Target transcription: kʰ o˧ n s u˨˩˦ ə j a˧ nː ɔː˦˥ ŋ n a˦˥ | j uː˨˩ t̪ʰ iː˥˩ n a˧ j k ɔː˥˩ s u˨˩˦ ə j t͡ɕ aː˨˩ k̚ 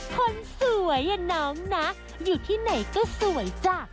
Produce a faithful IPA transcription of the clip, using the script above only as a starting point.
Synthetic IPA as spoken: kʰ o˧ n s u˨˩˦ ə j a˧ n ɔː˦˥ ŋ n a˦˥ | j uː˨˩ t̪ʰ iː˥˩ n a˨˩ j k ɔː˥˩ s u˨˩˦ ə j t͡ɕ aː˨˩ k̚